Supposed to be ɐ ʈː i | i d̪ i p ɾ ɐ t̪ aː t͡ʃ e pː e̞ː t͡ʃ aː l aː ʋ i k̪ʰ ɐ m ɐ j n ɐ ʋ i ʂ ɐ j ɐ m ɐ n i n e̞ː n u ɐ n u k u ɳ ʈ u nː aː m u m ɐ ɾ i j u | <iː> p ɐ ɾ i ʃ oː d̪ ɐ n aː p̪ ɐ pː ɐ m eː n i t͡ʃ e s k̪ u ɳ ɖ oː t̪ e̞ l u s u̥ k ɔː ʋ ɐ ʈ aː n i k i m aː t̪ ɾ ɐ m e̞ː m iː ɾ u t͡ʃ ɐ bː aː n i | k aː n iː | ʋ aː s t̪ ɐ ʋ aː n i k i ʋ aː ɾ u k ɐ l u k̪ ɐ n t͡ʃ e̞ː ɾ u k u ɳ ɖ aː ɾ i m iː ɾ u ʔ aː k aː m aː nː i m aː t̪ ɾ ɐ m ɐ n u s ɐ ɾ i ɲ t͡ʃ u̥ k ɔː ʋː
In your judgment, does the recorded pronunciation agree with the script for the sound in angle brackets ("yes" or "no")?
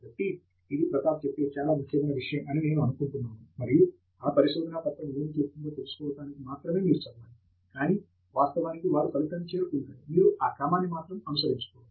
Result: no